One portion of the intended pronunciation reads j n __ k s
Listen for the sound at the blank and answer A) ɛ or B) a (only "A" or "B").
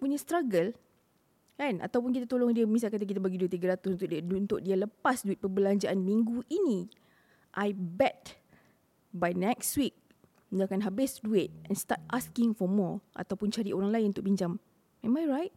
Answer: A